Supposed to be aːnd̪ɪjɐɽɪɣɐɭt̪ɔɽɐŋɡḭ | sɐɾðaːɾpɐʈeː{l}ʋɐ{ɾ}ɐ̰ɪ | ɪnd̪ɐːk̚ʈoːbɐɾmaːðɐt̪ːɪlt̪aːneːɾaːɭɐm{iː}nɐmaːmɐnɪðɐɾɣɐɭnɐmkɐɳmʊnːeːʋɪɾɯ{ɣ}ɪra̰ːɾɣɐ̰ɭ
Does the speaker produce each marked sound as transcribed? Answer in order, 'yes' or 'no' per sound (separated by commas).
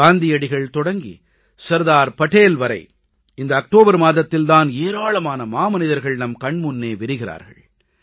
yes, yes, no, yes